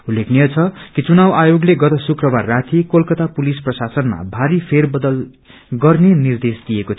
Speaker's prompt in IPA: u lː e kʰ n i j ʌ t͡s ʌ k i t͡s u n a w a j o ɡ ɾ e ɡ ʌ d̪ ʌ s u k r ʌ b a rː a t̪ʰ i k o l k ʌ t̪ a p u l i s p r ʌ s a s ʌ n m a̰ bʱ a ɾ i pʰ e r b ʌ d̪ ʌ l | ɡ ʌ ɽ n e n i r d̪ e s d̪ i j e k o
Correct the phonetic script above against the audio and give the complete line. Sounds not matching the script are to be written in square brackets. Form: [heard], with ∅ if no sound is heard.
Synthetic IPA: u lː e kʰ n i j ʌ [t͡sʰ] ʌ k i t͡s u n a w a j o ɡ [l] e ɡ ʌ [t̪] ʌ s u k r ʌ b a rː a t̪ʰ i k o l k ʌ t̪ a p u l i s p r ʌ s a s ʌ n m a̰ bʱ a ɾ i pʰ e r b ʌ d̪ ʌ l | ɡ ʌ [r] n e n i r d̪ e s d̪ i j e k o